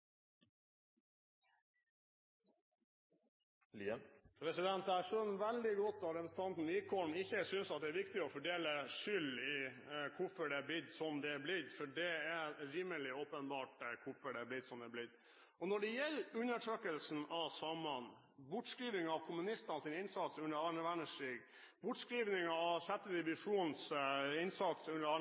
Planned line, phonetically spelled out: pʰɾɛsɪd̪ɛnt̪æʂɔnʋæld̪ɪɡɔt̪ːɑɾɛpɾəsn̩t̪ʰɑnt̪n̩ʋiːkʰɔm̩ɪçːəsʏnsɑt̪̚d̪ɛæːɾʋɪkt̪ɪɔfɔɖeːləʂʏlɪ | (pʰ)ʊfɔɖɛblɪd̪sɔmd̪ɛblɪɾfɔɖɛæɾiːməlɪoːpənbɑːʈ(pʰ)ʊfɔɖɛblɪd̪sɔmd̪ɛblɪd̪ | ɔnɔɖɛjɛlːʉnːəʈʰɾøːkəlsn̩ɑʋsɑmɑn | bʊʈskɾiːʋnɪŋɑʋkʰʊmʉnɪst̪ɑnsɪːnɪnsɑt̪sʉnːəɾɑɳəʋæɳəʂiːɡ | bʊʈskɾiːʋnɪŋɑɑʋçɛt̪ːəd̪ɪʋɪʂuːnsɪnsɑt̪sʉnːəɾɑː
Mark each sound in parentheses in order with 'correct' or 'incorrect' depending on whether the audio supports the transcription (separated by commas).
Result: incorrect, incorrect